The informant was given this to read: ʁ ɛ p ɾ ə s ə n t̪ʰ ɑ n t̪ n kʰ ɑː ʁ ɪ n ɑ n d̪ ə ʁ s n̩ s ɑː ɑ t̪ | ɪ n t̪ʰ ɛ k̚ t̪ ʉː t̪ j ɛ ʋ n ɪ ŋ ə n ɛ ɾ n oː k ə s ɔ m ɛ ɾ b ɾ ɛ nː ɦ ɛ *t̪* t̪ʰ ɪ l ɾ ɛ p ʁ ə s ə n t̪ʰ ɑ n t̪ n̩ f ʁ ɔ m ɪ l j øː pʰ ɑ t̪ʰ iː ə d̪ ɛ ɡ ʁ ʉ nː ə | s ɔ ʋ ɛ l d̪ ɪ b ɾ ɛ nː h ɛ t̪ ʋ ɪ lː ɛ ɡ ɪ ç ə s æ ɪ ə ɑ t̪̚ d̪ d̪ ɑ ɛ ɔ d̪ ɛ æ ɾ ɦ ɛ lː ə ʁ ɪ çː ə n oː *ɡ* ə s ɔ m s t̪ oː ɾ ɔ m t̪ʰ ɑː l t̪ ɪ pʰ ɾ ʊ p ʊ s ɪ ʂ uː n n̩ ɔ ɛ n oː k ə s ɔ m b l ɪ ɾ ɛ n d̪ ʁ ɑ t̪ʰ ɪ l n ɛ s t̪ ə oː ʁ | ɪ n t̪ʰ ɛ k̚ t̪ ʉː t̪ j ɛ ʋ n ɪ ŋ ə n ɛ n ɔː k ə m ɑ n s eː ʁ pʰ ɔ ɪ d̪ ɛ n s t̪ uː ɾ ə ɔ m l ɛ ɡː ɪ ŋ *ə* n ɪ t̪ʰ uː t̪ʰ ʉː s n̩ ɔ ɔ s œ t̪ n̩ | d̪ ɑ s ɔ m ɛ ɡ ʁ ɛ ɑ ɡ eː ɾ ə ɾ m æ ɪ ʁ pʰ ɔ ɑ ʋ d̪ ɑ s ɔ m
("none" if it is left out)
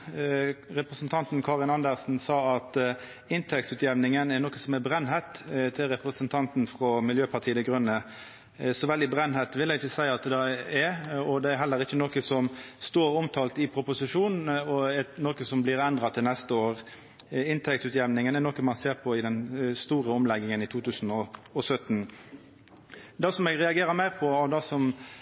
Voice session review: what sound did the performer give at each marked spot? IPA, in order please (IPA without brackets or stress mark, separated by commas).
t̪, k, ə